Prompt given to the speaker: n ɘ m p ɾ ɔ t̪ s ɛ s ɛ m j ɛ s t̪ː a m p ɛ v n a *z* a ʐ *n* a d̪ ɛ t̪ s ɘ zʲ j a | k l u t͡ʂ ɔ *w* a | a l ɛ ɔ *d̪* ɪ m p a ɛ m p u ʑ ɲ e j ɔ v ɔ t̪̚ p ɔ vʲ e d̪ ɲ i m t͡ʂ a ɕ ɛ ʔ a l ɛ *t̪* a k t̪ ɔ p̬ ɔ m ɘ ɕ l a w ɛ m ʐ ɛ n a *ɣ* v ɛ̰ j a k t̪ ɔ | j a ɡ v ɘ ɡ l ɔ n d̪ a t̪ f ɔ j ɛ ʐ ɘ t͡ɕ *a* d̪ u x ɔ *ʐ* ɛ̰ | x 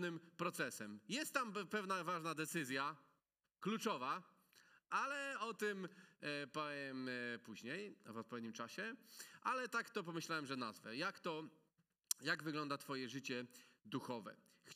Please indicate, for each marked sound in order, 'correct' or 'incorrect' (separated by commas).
incorrect, correct, incorrect, incorrect, correct, incorrect, incorrect, incorrect